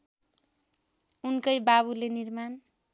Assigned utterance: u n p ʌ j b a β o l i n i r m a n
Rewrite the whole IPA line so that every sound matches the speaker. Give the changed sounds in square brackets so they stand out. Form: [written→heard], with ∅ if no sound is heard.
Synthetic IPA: u n [p→k] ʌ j b a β [o→u] l [i→e] n i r m a n